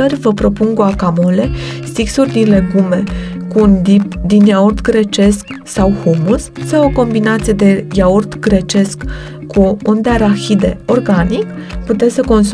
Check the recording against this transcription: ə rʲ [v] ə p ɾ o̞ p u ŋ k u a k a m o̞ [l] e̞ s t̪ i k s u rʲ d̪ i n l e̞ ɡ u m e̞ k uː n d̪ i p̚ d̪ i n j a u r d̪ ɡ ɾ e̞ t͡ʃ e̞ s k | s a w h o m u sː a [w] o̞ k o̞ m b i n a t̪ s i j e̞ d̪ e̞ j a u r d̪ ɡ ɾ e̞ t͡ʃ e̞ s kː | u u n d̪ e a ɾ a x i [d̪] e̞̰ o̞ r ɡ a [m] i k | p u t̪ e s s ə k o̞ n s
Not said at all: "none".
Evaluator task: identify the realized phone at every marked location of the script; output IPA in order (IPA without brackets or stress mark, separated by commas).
v, l, w, d̪, n